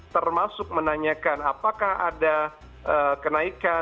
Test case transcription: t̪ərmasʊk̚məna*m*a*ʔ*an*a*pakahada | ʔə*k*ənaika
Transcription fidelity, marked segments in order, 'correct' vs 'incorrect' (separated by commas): incorrect, incorrect, correct, correct